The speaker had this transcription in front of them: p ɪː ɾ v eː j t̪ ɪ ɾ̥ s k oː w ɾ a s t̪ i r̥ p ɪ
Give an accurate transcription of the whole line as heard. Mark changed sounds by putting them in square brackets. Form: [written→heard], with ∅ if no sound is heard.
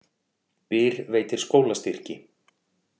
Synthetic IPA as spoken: p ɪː ɾ v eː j t̪ ɪ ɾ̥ s k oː w [ɾ→l] a s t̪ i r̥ [p→c] ɪ

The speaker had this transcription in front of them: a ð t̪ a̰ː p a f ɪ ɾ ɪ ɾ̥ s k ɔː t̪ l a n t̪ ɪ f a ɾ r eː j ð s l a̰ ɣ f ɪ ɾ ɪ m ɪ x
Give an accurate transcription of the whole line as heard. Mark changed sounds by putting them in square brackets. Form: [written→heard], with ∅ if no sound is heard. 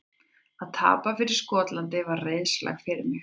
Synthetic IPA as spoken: a ð [t̪→t̪ʰ] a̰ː p a f ɪ ɾ ɪ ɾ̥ s k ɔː t̪ l a n t̪ ɪ [f→v] a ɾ r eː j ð s l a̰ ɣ f ɪ ɾ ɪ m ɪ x

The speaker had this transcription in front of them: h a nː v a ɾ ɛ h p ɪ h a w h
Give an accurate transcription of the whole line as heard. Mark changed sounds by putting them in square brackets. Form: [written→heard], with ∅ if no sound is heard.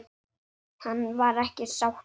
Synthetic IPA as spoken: h a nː v a ɾ ɛ h [p→c] ɪ [h→s] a w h

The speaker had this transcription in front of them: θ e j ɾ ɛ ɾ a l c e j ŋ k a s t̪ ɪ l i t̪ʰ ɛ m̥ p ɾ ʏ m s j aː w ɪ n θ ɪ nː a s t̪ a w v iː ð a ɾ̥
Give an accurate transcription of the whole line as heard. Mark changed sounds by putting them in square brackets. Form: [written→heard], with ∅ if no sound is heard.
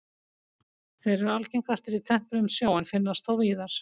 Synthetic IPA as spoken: θ e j ɾ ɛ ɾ a l c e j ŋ k a s t̪ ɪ [l→ɾ] i t̪ʰ ɛ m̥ p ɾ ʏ m s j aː w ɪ n [θ→f] ɪ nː a s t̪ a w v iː ð a ɾ̥

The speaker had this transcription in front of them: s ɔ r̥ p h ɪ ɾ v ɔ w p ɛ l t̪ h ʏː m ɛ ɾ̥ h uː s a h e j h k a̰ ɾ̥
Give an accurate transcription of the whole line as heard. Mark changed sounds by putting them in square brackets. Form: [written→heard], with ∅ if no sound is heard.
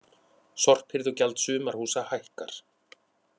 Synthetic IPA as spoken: s ɔ r̥ p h ɪ ɾ [v→ð] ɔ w [p→c] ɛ l t̪ [h→s] ʏː m [ɛ→a] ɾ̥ h uː s a h [e→a] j h k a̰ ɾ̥

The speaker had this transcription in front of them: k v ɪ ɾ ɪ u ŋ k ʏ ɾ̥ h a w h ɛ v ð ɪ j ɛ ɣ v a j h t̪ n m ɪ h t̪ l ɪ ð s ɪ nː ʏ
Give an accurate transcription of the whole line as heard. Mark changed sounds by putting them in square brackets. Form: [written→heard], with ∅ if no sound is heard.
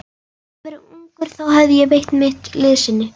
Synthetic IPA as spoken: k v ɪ ɾ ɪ u ŋ k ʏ ɾ̥ [h→θ] a w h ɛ v ð ɪ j ɛ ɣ v [a→e] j h t̪ n m ɪ h t̪ l ɪ ð s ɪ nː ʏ

